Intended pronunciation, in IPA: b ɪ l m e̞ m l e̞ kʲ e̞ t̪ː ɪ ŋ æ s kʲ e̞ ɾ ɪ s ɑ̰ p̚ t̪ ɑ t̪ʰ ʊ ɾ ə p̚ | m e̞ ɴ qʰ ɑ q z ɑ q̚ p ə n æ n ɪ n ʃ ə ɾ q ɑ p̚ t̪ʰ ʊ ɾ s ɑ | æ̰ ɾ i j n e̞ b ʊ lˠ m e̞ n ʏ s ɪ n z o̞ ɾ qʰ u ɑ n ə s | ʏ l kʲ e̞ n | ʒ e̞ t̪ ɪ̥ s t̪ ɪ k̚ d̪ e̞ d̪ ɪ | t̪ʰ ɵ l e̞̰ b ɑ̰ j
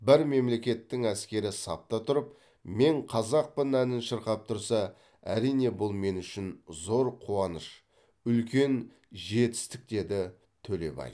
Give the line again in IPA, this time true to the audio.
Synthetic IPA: b ɪ ɾ m e̞ m l e̞ kʲ e̞ t̪ː ɪ ŋ æ s kʲ e̞ ɾ ɪ s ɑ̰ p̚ t̪ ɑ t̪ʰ ʊ ɾ ə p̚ | m e̞ ɴ qʰ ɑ z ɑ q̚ p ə n æ n ɪ n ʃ ə ɾ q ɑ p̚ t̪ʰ ʊ ɾ s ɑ | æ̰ ɾ i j n e̞ b ʊ lˠ m e̞ n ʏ ʃ ɪ n z o̞ ɾ qʰ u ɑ n ə ʃ | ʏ l kʲ e̞ n | ʒ e̞ t̪ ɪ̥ s t̪ ɪ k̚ d̪ e̞ d̪ ɪ | t̪ʰ ɵ l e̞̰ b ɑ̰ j

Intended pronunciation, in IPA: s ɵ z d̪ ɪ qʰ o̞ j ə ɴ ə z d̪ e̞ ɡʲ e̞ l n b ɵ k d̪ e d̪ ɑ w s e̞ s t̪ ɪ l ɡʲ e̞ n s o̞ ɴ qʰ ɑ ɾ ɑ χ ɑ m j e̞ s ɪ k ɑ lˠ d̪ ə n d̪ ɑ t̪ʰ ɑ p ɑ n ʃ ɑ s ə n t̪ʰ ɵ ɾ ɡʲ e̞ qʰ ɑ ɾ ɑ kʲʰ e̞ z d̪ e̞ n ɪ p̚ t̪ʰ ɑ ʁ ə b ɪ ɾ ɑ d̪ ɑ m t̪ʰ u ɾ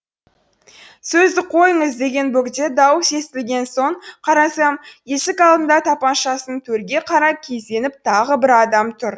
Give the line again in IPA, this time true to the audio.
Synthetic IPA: s ɵ z d̪ ɪ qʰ o̞ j ə ɴ ə z d̪ e̞ ɡʲ e̞ n b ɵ k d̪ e d̪ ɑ w s e̞ s t̪ ɪ l ɡʲ e̞ n s o̞ ɴ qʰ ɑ ɾ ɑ s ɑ m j e̞ s ɪ k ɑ lˠ d̪ ə n d̪ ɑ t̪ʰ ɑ p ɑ n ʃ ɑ s ə n t̪ʰ ɵ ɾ ɡʲ e̞ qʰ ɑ ɾ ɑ kʲʰ e̞ z d̪ e̞ n ɪ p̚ t̪ʰ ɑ ʁ ə b ɪ ɾ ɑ d̪ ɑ m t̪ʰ ʊ ɾ

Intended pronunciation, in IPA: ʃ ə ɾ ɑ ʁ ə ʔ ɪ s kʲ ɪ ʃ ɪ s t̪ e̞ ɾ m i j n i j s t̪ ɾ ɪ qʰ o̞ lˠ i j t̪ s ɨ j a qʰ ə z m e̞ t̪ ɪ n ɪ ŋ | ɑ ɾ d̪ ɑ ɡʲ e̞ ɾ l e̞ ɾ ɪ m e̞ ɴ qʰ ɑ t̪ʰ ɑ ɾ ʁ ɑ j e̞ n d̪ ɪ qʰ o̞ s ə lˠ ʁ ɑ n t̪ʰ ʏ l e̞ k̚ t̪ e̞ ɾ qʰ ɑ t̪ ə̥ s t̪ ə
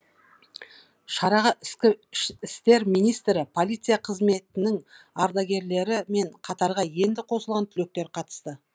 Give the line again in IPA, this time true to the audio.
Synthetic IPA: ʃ ɑ ɾ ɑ ʁ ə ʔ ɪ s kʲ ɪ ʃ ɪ s t̪ e̞ ɾ m i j n i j s t̪ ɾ ɪ pʰ o̞ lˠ i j t̪ s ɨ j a qʰ ə z m e̞ t̪ ɪ n ɪ ŋ | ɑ ɾ d̪ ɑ ɡʲ e̞ ɾ l e̞ ɾ ɪ m e̞ ɴ qʰ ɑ t̪ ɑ ɾ ʁ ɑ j e̞ n d̪ ɪ qʰ o̞ s ə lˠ ʁ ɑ n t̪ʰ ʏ l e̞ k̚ t̪ e̞ ɾ qʰ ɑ t̪ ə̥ s t̪ ə

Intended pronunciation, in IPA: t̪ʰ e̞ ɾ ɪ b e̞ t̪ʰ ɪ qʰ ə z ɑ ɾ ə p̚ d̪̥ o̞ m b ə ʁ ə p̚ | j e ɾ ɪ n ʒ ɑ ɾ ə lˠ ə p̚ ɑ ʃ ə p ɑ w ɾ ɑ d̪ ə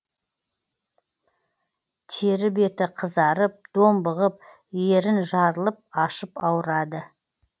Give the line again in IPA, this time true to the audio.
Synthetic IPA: t̪ʰ e̞ ɾ ɪ b e̞ t̪ ɪ qʰ ə z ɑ ɾ ə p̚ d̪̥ o̞ m b ə ʁ ə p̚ | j e ɾ ɪ n ʒ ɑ ɾ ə lˠ ə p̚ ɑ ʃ ə p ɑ w ɾ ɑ d̪ ə

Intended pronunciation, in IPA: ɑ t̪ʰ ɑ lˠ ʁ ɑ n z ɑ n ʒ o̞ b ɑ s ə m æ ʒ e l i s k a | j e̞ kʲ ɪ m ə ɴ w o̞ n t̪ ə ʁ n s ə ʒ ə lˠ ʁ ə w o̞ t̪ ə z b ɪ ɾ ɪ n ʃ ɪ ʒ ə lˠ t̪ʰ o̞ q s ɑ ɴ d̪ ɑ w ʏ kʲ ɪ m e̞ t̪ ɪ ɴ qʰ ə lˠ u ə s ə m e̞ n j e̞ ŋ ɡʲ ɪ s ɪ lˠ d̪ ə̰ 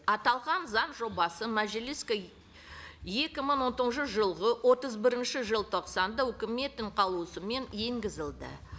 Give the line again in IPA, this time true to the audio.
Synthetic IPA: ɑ t̪ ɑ lˠ ʁ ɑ n z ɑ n ʒ o̞ b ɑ s ə m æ ʒ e l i s k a | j e̞ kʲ ɪ m ə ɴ w o̞ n t̪ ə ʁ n ʃ ə ʒ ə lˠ ʁ ə w o̞ t̪ ə z b ɪ ɾ ɪ n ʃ ɪ ʒ ə lˠ t̪ʰ o̞ q s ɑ n d̪ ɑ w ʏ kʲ ɪ m e̞ t̪ ɪ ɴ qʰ ɑ lˠ u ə s ə m e̞ n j e̞ ŋ ɡʲ ɪ z ɪ lˠ d̪ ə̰

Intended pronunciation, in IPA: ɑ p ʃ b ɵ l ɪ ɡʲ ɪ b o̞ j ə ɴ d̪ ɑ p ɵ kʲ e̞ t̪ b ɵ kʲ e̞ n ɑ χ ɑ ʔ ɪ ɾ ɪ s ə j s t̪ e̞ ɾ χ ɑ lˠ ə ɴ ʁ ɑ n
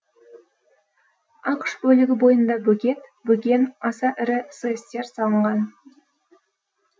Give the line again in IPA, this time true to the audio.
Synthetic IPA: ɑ q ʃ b ɵ l ɪ ɡʲ ɪ b o̞ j ə n d̪ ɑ b ɵ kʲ e̞ t̪ b ɵ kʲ e̞ n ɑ s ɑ ʔ ɪ ɾ ɪ s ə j s t̪ e̞ ɾ s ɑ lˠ ə ɴ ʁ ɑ n

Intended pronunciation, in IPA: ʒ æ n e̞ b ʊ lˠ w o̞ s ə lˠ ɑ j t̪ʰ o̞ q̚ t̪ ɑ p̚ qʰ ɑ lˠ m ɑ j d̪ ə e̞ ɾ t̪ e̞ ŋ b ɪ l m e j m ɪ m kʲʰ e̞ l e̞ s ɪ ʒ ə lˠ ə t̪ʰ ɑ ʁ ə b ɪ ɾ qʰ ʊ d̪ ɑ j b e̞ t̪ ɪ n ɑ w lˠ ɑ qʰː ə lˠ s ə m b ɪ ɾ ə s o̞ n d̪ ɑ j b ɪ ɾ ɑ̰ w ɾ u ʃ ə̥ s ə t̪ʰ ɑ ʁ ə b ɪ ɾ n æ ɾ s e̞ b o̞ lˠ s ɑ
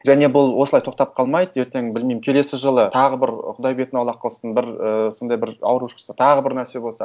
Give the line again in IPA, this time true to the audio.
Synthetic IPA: ʒ æ n e̞ b ʊ lˠ w o̞ s ə lˠ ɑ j t̪ʰ o̞ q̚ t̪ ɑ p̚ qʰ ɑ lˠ m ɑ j d̪ ə e̞ ɾ t̪ e̞ ŋ b ɪ l m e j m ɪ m kʲʰ e̞ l e̞ s ɪ ʒ ə lˠ ə t̪ʰ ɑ ʁ ə b ɪ ɾ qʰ ʊ d̪ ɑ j b e̞ t̪ ɪ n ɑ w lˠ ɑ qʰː ə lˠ s ə n b ɪ ɾ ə s o̞ n d̪ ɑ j b ɪ ɾ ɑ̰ w ɾ u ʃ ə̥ s ə t̪ʰ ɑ ʁ ə b ɪ ɾ n æ ɾ s e̞ b o̞ lˠ s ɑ

